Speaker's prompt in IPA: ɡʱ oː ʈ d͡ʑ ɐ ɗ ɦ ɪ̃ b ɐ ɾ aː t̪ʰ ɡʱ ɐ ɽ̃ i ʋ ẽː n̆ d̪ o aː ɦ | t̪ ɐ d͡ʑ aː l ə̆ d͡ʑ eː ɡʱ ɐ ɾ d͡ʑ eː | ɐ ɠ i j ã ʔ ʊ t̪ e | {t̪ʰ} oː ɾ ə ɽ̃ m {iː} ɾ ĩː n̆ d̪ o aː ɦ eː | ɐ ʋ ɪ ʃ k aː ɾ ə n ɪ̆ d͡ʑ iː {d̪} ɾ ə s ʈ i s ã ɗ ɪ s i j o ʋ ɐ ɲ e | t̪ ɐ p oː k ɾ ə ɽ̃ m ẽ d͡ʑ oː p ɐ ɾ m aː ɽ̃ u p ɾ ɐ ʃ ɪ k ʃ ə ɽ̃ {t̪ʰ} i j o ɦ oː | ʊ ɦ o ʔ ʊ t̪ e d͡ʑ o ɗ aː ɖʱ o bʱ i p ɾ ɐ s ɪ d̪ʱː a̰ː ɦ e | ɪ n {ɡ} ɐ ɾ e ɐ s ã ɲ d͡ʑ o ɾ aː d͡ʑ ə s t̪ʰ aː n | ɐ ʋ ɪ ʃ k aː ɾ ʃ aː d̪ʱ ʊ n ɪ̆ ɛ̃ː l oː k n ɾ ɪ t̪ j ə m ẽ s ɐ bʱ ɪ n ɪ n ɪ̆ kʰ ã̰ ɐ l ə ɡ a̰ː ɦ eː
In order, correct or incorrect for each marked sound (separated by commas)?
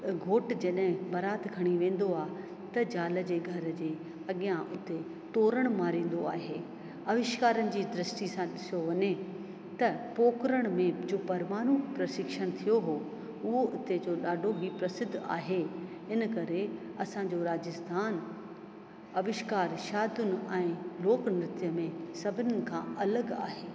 incorrect, incorrect, correct, correct, incorrect